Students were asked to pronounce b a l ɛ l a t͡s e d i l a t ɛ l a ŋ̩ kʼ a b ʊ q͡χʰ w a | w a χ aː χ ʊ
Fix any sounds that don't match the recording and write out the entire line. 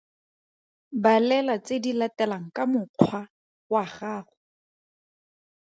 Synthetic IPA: b a l ɛ l a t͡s e d i l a t ɛ l a ŋ̩ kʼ a m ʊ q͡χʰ w a | w a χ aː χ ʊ